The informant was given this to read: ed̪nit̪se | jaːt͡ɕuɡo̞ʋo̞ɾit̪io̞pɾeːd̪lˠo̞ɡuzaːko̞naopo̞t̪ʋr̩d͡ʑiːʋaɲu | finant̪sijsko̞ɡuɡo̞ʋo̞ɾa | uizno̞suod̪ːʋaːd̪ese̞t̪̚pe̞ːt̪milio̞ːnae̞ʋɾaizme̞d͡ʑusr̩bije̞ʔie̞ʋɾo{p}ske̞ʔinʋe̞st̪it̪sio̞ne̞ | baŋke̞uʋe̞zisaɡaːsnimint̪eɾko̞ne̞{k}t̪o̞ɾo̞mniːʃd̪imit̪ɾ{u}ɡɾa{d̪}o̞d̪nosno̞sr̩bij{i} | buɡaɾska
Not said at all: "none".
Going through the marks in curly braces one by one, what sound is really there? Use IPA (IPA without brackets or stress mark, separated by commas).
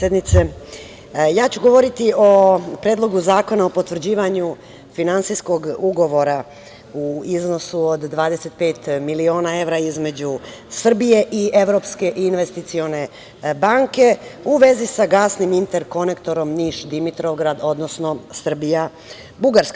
p, k, o, d̪, a